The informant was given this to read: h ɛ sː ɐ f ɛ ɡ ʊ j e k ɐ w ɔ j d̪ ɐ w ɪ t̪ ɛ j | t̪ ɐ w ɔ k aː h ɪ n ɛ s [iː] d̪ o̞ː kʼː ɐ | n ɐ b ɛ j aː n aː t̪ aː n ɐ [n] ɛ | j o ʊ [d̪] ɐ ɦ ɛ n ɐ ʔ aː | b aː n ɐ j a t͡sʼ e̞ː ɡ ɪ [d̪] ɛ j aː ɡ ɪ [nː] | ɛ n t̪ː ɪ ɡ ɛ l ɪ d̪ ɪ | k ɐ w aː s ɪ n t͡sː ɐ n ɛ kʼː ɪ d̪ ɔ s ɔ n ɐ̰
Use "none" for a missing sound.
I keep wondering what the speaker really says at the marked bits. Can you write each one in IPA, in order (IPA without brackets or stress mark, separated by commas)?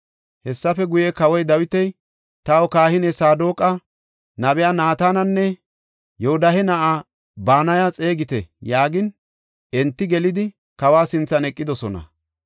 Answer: aː, nː, d̪, t̪, n